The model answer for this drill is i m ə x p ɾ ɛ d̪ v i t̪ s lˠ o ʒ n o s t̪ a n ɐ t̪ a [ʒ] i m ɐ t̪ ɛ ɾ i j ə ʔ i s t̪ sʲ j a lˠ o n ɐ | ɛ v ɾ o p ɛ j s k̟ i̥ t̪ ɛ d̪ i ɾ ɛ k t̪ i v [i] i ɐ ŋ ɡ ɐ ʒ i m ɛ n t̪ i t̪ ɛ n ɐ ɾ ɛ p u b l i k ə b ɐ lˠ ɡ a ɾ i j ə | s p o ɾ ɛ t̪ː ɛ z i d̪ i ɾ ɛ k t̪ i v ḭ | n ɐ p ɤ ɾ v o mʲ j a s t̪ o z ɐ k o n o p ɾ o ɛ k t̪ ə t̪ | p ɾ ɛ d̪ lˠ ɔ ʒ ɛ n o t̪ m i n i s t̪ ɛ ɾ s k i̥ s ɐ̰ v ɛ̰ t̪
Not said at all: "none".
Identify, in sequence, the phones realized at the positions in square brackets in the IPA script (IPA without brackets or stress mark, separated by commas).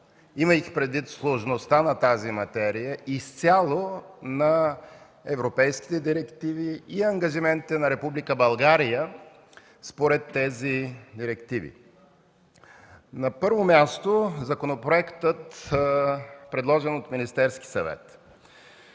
z, i